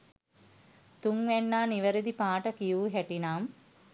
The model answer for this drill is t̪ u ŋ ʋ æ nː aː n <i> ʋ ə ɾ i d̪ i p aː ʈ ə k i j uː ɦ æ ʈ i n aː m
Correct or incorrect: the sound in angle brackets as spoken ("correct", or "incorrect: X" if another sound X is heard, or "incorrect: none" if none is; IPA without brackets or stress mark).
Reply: correct